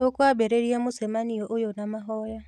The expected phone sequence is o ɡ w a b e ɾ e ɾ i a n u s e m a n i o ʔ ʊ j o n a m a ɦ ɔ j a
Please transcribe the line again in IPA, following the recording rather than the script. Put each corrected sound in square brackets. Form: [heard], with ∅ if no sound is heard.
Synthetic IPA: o [k] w a b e ɾ e ɾ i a [m] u s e m a n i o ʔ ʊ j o n a m a ɦ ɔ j a